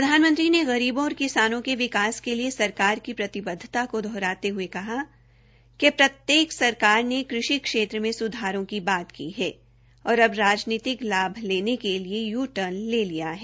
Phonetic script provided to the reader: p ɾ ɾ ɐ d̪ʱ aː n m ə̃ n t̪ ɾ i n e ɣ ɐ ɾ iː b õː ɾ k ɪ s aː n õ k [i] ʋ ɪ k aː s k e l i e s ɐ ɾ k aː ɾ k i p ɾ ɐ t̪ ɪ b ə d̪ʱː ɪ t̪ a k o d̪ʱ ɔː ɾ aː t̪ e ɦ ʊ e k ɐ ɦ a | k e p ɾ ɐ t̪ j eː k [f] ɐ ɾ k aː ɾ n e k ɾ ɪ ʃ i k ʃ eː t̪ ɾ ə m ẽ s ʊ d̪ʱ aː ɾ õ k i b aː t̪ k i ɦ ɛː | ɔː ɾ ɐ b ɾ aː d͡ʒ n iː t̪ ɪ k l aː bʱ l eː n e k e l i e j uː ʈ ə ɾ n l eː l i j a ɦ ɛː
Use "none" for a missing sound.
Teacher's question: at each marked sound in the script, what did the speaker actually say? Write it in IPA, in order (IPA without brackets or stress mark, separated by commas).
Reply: e, s